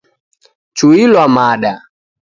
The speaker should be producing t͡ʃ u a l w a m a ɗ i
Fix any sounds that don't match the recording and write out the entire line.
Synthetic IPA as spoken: t͡ʃ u i l w a m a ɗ a